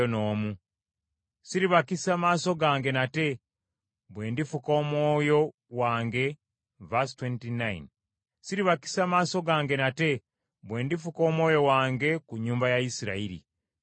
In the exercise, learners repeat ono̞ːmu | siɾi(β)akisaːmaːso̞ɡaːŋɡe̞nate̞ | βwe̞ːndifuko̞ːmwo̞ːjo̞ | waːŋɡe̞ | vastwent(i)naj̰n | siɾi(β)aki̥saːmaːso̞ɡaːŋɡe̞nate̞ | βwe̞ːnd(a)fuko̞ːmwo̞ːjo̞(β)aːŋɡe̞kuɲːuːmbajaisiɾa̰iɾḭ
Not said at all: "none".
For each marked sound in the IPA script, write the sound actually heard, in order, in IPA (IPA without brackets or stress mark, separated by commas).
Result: β, i, β, i, w